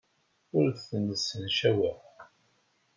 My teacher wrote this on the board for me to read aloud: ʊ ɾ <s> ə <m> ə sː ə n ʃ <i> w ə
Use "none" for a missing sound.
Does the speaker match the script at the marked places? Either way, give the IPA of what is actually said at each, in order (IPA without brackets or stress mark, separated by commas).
θ, n, æ